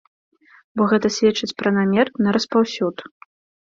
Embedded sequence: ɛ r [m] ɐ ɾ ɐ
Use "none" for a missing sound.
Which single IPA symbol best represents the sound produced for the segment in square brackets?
n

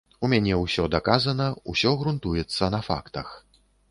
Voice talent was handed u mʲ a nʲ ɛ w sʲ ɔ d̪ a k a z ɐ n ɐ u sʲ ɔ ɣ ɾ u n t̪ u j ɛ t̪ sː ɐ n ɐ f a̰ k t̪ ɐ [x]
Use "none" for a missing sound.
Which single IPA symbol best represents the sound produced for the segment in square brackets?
x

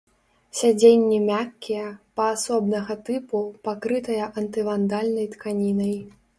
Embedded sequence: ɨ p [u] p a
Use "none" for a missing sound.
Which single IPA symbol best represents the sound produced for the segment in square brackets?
u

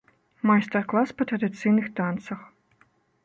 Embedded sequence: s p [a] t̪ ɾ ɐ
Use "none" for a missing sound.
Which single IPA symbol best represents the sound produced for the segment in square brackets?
ɐ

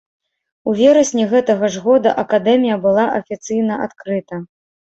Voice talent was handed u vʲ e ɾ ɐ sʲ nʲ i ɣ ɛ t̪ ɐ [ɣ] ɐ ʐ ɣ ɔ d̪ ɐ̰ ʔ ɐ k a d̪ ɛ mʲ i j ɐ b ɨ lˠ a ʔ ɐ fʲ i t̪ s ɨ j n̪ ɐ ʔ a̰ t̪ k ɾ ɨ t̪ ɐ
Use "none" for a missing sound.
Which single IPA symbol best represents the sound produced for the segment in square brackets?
ɣ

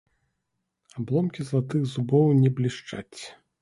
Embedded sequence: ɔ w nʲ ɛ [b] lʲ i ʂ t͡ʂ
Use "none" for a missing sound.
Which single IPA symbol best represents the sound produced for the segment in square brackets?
b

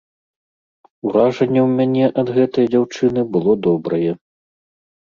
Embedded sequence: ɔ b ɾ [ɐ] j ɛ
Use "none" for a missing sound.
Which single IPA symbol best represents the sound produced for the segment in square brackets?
ɐ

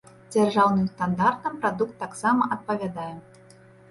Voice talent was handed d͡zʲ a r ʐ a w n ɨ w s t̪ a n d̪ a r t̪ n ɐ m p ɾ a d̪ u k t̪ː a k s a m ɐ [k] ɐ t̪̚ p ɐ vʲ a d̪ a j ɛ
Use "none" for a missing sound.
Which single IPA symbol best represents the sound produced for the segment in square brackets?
ʔ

